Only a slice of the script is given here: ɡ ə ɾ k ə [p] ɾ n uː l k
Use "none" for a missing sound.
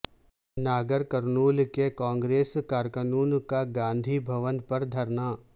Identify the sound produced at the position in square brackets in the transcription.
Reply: none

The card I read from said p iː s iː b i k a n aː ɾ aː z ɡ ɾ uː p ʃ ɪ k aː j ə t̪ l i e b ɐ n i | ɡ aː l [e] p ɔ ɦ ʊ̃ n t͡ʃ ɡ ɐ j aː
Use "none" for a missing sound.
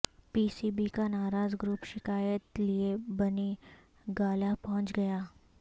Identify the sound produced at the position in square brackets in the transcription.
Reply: a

